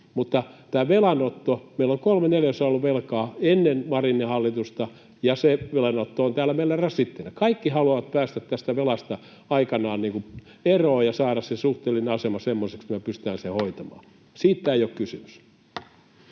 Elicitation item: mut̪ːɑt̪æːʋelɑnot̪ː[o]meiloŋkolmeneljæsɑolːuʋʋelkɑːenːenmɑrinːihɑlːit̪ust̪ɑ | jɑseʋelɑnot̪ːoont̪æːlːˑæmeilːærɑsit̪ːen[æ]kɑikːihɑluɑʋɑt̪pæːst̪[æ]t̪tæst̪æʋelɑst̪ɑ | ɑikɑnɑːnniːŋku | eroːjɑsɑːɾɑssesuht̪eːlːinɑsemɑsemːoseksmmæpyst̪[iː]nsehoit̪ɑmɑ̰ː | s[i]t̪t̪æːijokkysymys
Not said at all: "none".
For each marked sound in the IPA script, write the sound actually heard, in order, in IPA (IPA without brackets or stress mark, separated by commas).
o, æ, æ, æː, iː